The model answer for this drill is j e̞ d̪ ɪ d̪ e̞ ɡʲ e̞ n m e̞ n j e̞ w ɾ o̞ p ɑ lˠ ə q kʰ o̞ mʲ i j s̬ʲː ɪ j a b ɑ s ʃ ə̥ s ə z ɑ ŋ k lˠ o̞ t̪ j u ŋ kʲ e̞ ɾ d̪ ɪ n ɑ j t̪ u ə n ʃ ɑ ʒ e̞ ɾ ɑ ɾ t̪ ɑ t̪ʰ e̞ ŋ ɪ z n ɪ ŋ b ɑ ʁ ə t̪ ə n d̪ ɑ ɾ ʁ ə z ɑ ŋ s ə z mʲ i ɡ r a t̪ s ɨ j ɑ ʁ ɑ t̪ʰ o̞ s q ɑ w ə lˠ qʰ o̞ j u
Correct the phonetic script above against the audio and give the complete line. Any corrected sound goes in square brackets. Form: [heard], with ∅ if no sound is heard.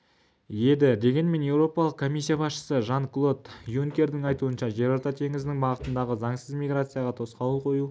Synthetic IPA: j e̞ d̪ ɪ d̪ e̞ ɡʲ e̞ n m e̞ n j e̞ w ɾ o̞ p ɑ lˠ ə q kʰ o̞ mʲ i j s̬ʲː [i] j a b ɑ s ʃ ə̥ s ə [ʒ] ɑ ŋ k lˠ o̞ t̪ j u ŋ kʲ e̞ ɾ d̪ ɪ [ŋ] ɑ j t̪ u ə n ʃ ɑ ʒ e̞ ɾ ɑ ɾ t̪ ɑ t̪ʰ e̞ ŋ ɪ z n ɪ ŋ b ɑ ʁ ə t̪ ə n d̪ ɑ [∅] ʁ ə z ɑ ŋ s ə z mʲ i ɡ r a t̪ s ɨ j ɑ ʁ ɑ t̪ʰ o̞ s q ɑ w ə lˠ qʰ o̞ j u